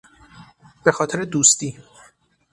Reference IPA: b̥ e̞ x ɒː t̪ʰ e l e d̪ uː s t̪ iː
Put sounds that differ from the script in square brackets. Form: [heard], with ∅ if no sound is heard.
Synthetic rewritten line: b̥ e̞ x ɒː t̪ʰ e [ɾ] e d̪ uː s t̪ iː